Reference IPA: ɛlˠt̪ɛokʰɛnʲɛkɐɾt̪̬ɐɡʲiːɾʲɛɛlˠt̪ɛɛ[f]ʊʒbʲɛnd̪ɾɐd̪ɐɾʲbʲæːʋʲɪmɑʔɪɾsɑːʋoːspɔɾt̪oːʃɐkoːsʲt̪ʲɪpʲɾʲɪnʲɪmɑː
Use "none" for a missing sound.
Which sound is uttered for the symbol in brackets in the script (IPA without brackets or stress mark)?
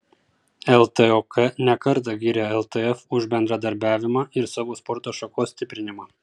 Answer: f